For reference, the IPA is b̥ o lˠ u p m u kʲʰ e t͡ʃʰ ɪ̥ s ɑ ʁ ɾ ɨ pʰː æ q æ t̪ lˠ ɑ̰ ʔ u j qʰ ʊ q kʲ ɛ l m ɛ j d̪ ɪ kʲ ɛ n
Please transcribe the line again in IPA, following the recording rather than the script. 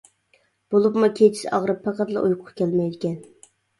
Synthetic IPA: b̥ o lˠ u p m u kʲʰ e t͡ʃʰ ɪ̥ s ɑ ʁ ɾ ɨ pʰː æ q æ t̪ lˠ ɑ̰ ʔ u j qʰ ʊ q kʲ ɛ l m ɛ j d̪ ɪ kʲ ɛ n